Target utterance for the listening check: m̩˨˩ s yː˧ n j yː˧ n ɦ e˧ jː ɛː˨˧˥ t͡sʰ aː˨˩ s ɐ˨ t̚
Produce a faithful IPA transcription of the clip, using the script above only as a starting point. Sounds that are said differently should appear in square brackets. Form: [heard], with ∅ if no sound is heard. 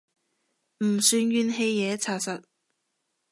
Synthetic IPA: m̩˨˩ s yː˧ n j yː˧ n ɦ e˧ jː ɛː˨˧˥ t͡sʰ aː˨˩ s ɐ˨ t̚